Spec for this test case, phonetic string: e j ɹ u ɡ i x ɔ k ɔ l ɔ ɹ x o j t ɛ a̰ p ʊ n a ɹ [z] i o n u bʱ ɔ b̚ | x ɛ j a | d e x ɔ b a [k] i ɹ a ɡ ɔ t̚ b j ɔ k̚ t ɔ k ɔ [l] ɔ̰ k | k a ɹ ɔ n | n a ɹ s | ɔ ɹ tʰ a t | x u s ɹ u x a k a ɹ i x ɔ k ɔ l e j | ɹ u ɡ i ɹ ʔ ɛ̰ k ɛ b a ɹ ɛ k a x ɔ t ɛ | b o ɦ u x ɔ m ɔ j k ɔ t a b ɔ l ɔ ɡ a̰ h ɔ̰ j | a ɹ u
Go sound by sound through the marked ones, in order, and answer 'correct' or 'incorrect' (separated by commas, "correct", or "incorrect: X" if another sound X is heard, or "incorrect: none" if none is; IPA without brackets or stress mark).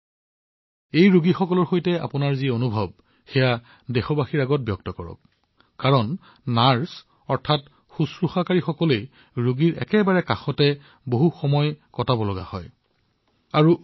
correct, incorrect: x, incorrect: ɹ